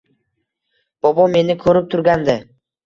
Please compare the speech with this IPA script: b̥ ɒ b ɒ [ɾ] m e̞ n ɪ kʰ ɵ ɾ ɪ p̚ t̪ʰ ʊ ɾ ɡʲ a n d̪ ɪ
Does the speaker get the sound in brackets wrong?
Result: yes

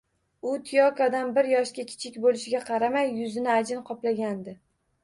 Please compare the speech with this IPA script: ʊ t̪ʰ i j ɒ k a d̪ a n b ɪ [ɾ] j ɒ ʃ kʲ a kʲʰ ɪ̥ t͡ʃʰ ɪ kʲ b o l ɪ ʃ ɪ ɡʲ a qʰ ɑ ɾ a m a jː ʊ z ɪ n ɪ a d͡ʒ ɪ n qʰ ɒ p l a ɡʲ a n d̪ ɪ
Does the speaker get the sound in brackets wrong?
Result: no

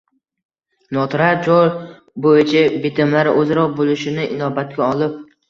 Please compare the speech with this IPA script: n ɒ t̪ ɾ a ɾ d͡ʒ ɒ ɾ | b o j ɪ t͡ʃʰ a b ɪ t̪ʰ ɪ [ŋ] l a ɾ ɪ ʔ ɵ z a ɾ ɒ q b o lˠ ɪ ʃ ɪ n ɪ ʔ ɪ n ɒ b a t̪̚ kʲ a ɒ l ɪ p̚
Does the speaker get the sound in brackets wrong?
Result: yes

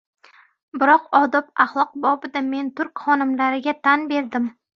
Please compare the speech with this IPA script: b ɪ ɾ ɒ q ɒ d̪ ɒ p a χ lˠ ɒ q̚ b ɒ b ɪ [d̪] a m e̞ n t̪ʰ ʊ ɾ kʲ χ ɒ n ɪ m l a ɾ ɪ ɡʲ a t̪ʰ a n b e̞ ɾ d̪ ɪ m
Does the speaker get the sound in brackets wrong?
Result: no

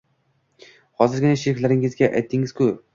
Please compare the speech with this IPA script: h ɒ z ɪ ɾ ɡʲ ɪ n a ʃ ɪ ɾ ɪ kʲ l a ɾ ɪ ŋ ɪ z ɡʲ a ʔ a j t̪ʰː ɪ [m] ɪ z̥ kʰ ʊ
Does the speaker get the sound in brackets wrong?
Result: yes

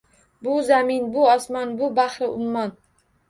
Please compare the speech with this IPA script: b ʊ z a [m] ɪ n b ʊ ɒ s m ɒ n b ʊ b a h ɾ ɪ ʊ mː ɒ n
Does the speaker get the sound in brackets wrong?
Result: no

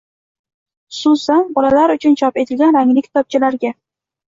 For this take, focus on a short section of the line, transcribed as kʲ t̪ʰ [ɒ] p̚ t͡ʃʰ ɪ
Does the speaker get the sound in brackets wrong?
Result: no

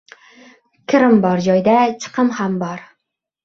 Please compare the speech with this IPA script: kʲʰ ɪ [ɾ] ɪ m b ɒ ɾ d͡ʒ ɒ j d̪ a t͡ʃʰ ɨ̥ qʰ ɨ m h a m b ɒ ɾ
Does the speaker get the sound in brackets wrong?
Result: no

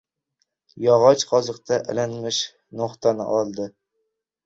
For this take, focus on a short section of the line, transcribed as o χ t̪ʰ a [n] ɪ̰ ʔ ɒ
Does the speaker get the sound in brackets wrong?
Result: no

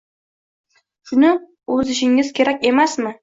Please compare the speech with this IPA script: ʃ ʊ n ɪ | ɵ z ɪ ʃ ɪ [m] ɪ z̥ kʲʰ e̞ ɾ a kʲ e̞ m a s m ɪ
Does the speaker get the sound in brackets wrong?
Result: yes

